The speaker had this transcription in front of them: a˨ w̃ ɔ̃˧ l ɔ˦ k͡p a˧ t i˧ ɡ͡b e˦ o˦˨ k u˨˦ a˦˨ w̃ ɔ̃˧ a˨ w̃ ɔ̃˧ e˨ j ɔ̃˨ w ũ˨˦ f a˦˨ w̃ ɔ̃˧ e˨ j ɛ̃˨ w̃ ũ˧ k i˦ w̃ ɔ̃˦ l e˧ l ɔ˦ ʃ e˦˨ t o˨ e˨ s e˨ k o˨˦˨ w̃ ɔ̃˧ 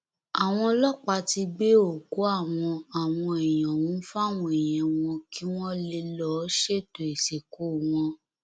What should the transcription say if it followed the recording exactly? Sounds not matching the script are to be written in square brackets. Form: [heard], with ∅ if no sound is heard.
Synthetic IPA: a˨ w̃ ɔ̃˧ l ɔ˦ k͡p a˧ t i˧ ɡ͡b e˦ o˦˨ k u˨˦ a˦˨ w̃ ɔ̃˧ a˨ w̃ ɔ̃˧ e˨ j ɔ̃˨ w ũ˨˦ f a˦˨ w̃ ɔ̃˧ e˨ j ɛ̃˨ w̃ [ɔ̃˧] k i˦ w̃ ɔ̃˦ l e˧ l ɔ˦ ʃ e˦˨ t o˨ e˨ s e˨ k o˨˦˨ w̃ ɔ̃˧

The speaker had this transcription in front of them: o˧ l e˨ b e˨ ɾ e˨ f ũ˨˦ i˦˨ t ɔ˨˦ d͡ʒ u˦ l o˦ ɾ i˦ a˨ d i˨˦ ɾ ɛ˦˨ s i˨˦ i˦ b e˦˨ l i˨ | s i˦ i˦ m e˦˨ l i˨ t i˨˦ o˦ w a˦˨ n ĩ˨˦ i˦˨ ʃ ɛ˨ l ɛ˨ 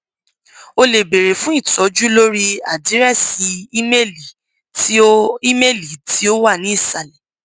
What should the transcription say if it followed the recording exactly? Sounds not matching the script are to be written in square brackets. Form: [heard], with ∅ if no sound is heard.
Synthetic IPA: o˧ l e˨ b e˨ ɾ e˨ f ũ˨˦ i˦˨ t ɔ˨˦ d͡ʒ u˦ l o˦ ɾ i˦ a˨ d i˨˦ ɾ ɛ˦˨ s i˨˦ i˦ [m] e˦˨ l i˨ | [t] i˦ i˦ m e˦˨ l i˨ t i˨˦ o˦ w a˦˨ n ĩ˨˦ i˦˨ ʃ [a˨] l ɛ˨

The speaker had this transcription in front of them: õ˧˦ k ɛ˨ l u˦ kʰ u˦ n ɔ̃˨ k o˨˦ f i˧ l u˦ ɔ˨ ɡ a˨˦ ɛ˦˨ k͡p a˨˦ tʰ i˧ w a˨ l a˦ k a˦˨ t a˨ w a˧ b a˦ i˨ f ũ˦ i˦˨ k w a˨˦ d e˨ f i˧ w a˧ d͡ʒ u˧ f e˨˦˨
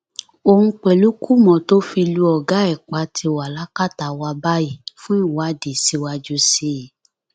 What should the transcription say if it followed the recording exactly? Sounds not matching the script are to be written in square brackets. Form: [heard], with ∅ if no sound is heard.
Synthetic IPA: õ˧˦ [k͡p] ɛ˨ l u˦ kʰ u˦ [m] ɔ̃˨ [t] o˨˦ f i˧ l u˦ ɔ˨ ɡ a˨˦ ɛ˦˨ k͡p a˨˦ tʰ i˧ w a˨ l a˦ k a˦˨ t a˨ w a˧ b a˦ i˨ f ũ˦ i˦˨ [∅] w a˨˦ d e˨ [s] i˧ w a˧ d͡ʒ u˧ [s] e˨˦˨

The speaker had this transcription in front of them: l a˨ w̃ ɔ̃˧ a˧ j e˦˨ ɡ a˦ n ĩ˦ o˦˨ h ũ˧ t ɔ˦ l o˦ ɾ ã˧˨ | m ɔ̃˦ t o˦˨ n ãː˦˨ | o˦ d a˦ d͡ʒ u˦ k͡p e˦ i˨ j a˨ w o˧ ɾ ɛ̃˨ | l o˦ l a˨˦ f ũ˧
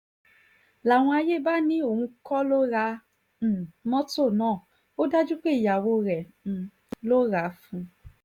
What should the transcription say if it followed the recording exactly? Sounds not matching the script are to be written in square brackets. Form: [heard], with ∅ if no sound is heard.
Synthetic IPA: l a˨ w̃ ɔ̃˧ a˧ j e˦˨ [b] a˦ n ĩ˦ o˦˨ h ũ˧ [k] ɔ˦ l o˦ ɾ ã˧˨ | m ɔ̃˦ t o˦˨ n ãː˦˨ | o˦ d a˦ d͡ʒ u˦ k͡p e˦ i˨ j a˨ w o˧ ɾ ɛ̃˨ | l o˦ [ɾ] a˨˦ f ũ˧

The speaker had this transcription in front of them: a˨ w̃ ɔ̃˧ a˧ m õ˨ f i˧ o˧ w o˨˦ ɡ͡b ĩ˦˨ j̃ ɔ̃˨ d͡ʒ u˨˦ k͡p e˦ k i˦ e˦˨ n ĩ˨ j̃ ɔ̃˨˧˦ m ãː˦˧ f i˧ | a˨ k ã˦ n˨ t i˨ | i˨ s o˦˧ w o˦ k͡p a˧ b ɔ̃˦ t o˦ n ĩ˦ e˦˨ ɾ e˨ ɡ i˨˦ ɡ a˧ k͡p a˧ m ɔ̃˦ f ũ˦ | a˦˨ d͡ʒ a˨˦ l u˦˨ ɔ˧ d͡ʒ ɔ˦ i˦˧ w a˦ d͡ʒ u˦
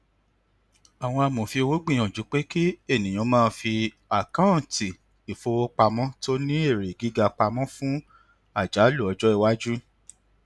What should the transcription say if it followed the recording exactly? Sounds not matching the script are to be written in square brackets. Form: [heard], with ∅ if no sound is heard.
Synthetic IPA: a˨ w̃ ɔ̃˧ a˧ m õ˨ f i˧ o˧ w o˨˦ ɡ͡b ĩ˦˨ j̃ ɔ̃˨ d͡ʒ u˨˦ k͡p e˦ k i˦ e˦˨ n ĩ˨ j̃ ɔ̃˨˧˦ m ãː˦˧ f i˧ | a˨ k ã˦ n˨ t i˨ | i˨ [f] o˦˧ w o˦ k͡p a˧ [m] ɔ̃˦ t o˦ n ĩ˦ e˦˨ ɾ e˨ ɡ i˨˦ ɡ a˧ k͡p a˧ m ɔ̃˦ f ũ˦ | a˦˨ d͡ʒ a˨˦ l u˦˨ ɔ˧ d͡ʒ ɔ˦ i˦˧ w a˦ d͡ʒ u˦

